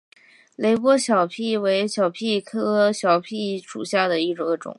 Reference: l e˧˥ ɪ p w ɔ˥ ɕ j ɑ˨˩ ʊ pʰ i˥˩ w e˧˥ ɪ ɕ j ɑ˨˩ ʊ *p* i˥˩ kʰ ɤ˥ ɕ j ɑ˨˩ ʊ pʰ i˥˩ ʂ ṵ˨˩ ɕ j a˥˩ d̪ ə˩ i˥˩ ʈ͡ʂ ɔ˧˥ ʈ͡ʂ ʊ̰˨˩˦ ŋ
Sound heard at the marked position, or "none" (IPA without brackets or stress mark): pʰ